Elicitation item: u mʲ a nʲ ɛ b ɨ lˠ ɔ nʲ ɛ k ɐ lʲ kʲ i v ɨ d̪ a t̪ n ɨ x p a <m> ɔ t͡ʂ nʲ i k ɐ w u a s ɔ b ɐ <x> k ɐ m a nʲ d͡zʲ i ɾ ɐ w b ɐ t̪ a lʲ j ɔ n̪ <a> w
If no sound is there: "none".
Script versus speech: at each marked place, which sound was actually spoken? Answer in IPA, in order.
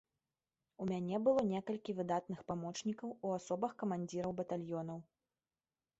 m, x, ɐ

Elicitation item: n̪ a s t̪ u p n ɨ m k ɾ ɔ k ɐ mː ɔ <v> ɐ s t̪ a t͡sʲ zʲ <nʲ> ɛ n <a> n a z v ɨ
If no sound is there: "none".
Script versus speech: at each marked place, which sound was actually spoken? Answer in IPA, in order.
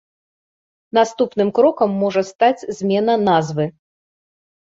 ʐ, mʲ, ɐ

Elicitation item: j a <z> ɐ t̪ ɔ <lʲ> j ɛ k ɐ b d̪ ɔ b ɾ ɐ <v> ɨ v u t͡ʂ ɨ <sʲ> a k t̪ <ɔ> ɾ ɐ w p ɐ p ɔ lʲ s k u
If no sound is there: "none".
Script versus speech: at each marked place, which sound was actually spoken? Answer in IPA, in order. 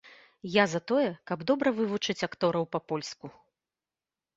z, none, v, t͡sʲ, ɔ

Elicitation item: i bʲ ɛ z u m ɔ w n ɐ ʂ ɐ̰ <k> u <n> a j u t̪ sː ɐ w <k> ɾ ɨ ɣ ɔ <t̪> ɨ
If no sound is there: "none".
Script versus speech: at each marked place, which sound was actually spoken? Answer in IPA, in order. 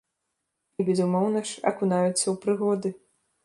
k, n, p, d̪

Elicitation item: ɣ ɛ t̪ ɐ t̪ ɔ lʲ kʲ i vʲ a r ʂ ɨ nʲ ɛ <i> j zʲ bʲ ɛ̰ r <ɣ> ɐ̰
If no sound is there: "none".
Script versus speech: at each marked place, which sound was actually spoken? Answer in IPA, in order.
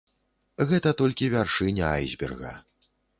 a, ɣ

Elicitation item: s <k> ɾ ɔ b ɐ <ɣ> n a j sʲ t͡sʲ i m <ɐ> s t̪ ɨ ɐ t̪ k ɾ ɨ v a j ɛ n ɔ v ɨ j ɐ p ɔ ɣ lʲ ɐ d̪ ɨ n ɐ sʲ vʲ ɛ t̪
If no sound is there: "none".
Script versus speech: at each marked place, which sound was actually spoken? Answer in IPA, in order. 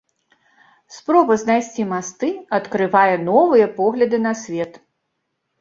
p, z, a

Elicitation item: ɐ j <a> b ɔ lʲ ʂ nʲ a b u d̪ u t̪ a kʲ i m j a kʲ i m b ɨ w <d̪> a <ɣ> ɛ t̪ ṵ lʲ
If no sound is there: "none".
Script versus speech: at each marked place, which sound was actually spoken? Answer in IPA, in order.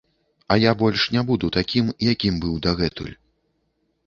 a, d̪, ɣ

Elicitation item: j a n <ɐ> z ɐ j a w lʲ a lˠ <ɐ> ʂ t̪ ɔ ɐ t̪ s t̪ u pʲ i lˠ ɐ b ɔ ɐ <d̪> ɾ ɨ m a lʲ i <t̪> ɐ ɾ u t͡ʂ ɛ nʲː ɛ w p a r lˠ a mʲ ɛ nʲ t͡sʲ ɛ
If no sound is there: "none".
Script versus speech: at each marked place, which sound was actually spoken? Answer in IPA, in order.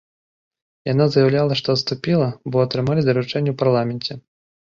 a, ɐ, t̪, d̪

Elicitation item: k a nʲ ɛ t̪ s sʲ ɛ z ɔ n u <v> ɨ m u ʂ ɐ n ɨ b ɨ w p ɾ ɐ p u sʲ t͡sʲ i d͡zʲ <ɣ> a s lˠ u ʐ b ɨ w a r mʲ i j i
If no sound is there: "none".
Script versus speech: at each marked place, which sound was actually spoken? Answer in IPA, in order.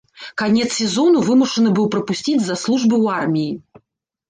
v, z

